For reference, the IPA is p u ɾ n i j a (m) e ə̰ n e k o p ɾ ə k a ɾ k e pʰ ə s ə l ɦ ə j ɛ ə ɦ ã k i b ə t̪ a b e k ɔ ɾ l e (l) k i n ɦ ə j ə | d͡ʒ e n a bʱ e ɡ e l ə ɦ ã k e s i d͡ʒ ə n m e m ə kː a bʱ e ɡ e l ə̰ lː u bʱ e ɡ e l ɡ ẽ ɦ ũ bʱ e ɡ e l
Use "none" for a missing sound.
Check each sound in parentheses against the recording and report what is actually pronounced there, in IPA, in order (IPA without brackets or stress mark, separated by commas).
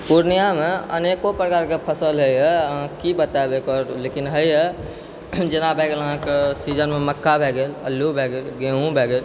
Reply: m, none